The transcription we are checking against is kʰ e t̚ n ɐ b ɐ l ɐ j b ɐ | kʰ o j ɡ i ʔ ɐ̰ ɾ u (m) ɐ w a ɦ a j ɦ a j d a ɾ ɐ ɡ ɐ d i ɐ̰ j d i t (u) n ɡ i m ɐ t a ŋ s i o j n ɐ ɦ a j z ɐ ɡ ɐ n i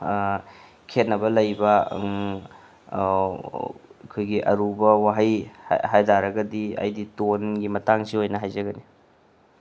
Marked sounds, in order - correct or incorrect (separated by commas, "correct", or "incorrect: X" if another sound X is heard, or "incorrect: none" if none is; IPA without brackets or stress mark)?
incorrect: b, incorrect: o